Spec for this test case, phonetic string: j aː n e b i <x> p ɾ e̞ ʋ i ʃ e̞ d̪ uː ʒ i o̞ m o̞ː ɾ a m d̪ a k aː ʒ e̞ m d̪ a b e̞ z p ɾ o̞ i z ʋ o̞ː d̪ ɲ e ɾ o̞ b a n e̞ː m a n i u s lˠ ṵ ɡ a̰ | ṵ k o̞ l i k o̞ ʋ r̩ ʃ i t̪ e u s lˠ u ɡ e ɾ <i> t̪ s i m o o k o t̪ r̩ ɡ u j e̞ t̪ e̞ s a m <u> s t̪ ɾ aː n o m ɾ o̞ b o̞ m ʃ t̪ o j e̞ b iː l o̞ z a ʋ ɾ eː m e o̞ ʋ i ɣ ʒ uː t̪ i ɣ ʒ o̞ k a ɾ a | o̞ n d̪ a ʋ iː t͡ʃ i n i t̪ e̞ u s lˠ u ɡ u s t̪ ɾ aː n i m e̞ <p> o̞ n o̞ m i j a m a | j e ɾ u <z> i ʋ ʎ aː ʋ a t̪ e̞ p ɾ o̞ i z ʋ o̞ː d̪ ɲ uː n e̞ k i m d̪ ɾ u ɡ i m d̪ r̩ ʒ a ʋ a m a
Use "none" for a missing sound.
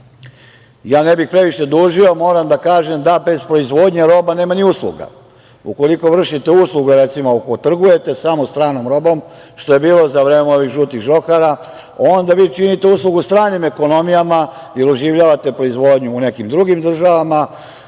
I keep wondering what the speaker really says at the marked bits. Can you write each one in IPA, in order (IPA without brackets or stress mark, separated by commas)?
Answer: x, e, o, k, ʒ